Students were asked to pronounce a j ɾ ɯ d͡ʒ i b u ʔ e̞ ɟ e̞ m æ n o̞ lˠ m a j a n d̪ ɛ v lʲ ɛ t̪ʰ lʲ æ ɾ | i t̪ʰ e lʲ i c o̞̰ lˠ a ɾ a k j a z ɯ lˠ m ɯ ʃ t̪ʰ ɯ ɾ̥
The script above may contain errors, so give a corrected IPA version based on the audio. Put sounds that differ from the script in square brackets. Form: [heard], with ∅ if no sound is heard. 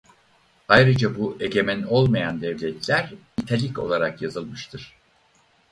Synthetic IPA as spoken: a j ɾ ɯ d͡ʒ [a] b u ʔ e̞ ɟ e̞ m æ n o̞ lˠ m a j a n d̪ ɛ v lʲ ɛ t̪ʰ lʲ æ ɾ | i t̪ʰ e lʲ i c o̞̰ lˠ a ɾ a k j a z ɯ lˠ m ɯ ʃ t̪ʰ ɯ ɾ̥